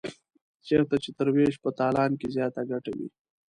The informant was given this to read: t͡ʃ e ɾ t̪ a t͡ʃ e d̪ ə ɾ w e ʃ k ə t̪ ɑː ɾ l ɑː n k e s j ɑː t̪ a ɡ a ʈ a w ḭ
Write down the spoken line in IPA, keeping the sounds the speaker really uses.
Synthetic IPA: t͡ʃ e ɾ t̪ a t͡ʃ e t̪ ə ɾ w e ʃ p ə t̪ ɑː l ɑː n k e z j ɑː t̪ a ɡ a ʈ a w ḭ